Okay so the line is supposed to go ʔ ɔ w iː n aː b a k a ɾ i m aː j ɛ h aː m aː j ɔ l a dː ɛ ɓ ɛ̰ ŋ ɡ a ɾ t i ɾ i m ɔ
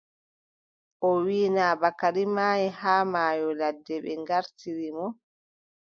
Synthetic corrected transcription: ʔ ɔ w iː n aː b a k a ɾ i m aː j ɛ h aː m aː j ɔ l a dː ɛ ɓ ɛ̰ ŋ ɡ a ɾ t i ɾ i m ɔ